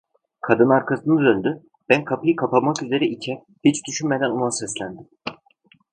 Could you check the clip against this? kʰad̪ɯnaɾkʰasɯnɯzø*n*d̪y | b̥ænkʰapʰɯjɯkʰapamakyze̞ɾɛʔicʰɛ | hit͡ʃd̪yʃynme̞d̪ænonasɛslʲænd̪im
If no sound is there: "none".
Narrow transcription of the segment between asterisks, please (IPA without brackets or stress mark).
n